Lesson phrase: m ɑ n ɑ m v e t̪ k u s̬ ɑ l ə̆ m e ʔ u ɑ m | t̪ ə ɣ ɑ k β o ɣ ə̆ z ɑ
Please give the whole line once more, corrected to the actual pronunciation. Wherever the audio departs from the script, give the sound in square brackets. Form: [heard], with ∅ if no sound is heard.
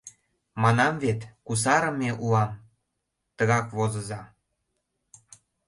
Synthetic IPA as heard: m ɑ n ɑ m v e t̪ k u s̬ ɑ [ɾ] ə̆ m e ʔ u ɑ m | t̪ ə ɣ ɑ k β o [z] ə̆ z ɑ